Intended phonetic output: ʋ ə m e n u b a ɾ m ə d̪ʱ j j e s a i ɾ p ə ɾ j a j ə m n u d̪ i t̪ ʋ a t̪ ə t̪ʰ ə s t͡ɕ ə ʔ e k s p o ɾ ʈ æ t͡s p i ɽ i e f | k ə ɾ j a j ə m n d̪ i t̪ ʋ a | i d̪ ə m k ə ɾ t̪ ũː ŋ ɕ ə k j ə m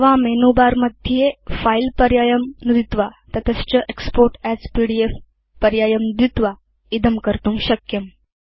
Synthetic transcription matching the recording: ʋ a m e n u b a ɾ m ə d̪ʱ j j e f a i l p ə ɾ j a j ə m n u d̪ i t̪ ʋ a t̪ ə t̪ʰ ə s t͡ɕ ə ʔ e k s p o ɾ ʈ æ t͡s p i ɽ i e f | p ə ɾ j a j ə m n d̪ i t̪ ʋ a | i d̪ ə m k ə ɾ t̪ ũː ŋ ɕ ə k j ə m

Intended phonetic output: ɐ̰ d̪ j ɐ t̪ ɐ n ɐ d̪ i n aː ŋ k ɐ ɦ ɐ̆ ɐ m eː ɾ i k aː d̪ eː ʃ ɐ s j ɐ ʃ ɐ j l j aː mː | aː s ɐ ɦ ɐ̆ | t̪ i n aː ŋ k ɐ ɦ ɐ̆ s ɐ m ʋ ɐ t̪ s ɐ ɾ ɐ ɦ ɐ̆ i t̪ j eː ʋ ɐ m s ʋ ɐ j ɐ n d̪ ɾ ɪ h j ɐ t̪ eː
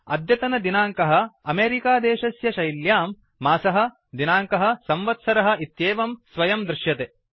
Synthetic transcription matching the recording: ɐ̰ d̪ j ɐ t̪ ɐ n ɐ d̪ i n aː ŋ k ɐ ɦ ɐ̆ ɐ m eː ɾ i k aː d̪ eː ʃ ɐ s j ɐ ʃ ɐ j l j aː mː | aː s ɐ ɦ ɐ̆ | d̪ i n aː ŋ k ɐ ɦ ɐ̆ s ɐ m ʋ ɐ t̪ s ɐ ɾ ɐ ɦ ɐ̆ i t̪ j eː ʋ ɐ m s ʋ ɐ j ɐ m d̪ ɾ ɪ ʃ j ɐ t̪ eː

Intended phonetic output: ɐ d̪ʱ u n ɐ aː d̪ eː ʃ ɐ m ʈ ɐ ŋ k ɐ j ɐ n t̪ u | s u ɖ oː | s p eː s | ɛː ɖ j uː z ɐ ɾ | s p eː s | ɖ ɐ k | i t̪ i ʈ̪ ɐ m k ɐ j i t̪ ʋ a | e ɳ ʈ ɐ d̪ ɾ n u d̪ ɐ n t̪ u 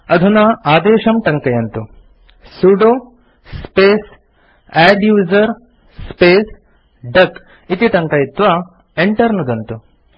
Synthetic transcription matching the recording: ɐ d̪ʱ u n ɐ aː d̪ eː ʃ ɐ m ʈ ɐ ŋ k ɐ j ɐ n t̪ u | s u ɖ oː | s p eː s | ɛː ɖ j uː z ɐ ɾ | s p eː s | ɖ ɐ k | i t̪ i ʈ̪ ɐ ŋ k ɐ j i t̪ ʋ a | e ɳ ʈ ɐ ɾ n u d̪ ɐ n t̪ u

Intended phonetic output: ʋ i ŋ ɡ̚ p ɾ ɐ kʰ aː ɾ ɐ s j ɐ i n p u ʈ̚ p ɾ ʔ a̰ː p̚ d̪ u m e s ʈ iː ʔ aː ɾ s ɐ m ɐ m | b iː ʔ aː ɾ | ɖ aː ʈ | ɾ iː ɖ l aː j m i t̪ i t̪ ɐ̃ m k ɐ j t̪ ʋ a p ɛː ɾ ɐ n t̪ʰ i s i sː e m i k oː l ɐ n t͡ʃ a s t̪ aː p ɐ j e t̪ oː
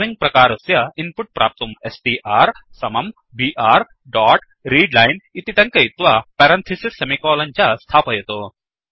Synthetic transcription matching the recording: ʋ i ŋ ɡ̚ p ɾ ɐ k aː ɾ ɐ s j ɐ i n p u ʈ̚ p ɾ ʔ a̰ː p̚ t̪ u m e s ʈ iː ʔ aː ɾ s ɐ m ɐ m | b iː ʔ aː ɾ | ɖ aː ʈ | ɾ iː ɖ l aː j n i t̪ i t̪ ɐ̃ ŋ k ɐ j t̪ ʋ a p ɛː ɾ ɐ n t̪ʰ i s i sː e m i k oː l ɐ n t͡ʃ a s t̪ʰ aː p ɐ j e t̪ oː

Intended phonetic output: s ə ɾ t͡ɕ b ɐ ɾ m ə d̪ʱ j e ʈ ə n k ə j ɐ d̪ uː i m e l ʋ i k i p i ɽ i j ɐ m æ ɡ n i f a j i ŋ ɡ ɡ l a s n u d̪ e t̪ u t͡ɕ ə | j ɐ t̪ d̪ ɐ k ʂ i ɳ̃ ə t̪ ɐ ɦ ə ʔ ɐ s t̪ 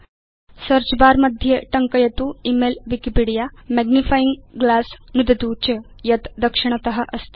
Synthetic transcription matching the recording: s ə ɾ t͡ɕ b a ɾ m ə d̪ʱ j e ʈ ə ŋ k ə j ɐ t̪ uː i m e l ʋ i k i p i ɽ i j a m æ ɡ n i f a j i ŋ ɡ ɡ l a s n u d̪ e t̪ u t͡ɕ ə | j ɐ t̪ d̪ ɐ k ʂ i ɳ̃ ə t̪ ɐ ɦ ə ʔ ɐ s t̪

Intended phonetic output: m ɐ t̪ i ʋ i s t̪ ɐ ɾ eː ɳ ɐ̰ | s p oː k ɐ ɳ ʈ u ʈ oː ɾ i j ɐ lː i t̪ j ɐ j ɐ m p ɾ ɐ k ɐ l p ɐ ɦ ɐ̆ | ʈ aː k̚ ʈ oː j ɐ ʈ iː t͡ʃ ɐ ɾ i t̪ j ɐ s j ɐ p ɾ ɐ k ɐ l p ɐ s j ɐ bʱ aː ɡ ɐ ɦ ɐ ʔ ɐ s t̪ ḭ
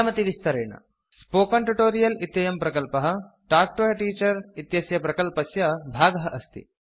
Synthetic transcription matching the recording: m ɐ t̪ i ʋ i s t̪ ɐ ɾ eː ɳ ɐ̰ | s p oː k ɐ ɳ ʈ u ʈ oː ɾ i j ɐ l i t̪ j ɐ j ɐ m p ɾ ɐ k ɐ l p ɐ ɦ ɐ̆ | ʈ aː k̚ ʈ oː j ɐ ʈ iː t͡ʃ ɐ ɾ i t̪ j ɐ s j ɐ p ɾ ɐ k ɐ l p ɐ s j ɐ bʱ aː ɡ ɐ ɦ ɐ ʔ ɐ s t̪ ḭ

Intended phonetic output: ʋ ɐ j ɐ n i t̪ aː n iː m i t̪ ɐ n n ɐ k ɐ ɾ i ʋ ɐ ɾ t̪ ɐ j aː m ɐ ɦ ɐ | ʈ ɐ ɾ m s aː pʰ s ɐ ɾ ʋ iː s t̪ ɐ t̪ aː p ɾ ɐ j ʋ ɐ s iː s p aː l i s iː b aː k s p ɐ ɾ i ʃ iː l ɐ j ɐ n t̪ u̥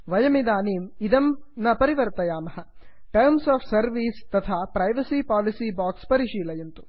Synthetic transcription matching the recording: ʋ ɐ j ɐ m i d̪ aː n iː m i d̪ ɐ m n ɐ p ɐ ɾ i ʋ ɐ ɾ t̪ ɐ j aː m ɐ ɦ ɐ | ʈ ɐ ɾ m s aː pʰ s ɐ ɾ ʋ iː s t̪ ɐ t̪ʰ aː p ɾ ɐ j ʋ ɐ s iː p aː l i s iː b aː k s p ɐ ɾ i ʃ iː l ɐ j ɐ n t̪ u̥

